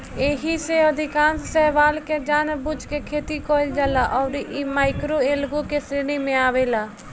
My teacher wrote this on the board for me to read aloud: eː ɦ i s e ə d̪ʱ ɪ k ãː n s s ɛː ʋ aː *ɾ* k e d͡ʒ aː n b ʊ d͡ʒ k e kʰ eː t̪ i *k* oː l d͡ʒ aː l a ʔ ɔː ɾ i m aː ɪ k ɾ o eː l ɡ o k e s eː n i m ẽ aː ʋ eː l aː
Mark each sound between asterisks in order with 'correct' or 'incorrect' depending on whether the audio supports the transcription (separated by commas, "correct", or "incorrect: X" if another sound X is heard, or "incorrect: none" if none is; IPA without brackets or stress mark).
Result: incorrect: l, correct